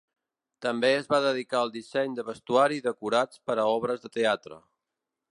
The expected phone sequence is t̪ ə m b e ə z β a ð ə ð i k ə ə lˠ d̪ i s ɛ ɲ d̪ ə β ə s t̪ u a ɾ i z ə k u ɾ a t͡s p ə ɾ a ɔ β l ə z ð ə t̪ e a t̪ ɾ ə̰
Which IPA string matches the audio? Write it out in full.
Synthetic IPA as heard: t̪ ə m b e ə z β a ð ə ð i k a ə lˠ d̪ i s ɛ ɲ d̪ ə β ə s t̪ u a ɾ i ð ə k u ɾ a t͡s p ə ɾ ə ɔ β ɾ ə z ð ə t̪ e a t̪ ɾ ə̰

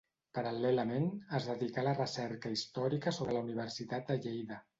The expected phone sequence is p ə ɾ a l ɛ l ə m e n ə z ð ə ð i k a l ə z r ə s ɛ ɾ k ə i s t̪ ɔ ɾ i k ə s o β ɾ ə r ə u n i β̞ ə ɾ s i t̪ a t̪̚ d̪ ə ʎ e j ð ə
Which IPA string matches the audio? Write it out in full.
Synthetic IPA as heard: p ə ɾ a l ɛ l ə m e n ə z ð ə ð i k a l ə r ə s ɛ ɾ k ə i s t̪ ɔ ɾ i k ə s o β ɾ ə l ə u n i β̞ ə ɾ s i t̪ a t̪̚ d̪ ə ʎ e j ð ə

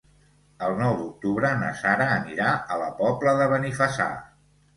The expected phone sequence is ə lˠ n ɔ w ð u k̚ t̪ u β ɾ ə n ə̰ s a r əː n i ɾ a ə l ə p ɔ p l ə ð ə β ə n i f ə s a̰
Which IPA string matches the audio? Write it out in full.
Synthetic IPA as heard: ə lˠ n ɔ w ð u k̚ t̪ u β ɾ ə n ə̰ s a ɾ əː n i ɾ a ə l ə p ɔ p l ə ð ə β ə n i f ə s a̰

